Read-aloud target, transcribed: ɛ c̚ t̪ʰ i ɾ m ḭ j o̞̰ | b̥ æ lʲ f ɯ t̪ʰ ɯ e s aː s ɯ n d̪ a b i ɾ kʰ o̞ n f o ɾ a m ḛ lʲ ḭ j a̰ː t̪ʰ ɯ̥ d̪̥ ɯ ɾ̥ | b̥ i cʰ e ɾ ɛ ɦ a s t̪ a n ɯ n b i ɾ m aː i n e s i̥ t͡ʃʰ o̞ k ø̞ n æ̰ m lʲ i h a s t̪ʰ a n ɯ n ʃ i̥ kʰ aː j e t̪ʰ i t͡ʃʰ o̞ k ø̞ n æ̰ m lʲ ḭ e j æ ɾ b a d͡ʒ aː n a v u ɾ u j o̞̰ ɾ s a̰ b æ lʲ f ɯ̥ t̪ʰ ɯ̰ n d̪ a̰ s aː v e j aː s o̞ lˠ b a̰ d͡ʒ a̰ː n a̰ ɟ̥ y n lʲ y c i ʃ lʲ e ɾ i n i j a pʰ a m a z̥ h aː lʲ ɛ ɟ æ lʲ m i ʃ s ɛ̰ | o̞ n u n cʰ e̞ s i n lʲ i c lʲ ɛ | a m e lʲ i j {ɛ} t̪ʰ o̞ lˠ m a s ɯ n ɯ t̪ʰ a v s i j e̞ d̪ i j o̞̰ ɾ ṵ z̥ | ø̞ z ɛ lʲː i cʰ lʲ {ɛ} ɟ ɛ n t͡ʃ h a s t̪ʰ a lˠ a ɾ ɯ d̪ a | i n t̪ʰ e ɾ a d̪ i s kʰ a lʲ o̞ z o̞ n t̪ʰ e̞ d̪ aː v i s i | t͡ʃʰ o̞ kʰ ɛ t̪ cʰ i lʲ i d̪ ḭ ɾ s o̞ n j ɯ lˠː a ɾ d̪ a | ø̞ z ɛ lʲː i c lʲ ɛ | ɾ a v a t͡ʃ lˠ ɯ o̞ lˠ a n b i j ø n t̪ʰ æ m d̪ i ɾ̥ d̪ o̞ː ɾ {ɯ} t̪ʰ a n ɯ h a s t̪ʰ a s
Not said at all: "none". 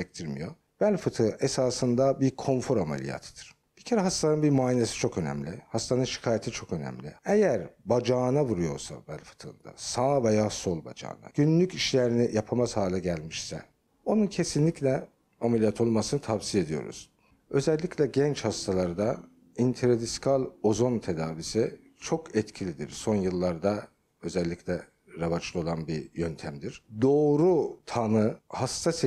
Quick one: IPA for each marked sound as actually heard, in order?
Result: a, ɛ, u

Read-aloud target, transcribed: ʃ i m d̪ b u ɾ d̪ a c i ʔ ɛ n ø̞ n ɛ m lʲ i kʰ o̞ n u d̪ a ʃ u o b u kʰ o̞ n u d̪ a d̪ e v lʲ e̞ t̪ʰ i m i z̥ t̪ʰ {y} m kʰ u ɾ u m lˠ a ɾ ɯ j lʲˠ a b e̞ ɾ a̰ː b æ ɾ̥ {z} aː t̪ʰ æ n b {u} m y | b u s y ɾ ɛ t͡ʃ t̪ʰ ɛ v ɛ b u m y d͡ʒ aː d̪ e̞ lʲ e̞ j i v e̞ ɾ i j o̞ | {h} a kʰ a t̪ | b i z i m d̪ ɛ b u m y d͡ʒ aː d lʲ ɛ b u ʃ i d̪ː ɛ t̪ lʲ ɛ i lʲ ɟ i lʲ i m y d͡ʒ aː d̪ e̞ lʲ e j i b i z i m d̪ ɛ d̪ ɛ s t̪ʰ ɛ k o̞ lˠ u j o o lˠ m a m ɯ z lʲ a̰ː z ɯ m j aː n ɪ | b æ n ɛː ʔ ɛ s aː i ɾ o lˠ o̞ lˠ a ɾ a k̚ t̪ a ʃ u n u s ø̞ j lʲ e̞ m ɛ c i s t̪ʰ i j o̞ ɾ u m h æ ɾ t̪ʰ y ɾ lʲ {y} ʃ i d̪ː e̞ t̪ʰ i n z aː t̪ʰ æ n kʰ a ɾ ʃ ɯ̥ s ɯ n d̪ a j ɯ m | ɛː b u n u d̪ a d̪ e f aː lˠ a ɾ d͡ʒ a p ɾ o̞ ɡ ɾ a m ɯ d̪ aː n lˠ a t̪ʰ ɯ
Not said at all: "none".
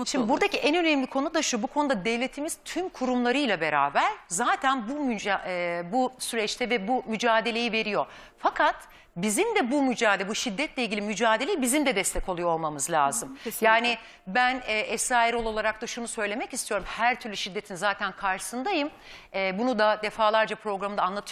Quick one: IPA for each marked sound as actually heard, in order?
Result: y, z, u, f, y

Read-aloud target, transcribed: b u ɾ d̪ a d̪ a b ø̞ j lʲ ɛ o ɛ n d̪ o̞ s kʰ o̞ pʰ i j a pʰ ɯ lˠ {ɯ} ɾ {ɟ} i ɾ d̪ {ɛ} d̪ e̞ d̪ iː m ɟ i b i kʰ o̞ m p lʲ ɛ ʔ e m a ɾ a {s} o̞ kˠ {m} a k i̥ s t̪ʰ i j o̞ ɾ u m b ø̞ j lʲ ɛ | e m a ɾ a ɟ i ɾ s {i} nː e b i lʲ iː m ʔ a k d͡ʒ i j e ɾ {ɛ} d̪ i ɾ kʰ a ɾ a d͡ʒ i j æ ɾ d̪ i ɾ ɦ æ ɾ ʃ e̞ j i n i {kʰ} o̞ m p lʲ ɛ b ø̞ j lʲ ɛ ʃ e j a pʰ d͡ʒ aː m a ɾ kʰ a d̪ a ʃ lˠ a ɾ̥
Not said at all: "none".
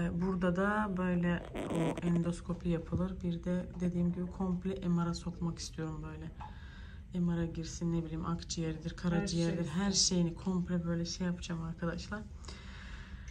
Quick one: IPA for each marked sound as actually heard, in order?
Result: ɯ, b, ɛ, s, m, i, i, kʰ

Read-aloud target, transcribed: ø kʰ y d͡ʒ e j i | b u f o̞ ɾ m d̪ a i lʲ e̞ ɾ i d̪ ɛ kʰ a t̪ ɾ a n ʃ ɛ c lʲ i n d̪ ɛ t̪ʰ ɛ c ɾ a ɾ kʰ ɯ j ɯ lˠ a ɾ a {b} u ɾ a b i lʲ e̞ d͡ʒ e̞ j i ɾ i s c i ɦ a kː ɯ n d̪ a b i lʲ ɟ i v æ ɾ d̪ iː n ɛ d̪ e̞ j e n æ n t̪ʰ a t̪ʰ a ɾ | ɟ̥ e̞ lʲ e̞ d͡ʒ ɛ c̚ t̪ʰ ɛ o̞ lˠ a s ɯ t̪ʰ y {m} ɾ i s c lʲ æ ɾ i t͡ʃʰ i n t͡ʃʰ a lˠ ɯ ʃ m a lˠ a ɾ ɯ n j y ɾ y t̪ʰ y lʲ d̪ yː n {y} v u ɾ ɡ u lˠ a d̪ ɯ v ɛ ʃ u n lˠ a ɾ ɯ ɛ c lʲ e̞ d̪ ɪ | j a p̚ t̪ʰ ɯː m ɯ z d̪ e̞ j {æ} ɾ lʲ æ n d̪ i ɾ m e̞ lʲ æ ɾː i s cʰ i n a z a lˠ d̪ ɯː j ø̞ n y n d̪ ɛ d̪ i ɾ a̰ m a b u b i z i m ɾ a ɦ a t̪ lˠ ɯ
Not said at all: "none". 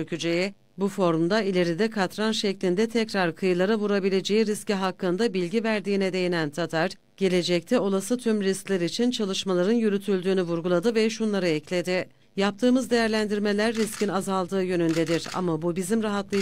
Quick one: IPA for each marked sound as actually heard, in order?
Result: v, m, y, æ

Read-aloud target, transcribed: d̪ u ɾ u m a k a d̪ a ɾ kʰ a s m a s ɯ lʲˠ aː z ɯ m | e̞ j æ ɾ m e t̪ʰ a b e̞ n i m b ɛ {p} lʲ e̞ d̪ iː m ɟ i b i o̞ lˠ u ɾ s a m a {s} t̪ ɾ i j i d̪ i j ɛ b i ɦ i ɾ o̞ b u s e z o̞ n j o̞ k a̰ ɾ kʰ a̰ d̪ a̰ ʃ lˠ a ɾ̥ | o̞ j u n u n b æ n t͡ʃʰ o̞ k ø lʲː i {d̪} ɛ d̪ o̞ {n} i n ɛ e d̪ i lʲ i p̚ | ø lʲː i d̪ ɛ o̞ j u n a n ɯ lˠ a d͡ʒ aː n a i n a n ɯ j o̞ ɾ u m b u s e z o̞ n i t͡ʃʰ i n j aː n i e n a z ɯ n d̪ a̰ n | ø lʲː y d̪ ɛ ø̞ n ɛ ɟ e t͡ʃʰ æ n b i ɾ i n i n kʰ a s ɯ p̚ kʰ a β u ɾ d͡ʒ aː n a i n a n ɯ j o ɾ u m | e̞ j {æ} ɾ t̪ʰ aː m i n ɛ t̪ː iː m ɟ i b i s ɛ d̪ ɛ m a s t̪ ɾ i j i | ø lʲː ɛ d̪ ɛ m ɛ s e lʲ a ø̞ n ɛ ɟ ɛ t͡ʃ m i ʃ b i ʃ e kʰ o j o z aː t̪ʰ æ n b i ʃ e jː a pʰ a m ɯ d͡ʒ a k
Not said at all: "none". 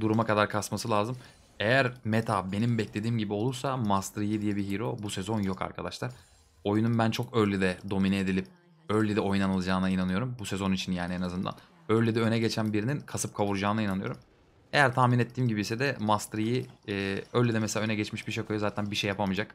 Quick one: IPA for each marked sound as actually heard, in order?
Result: c, s, d̪, m, æ

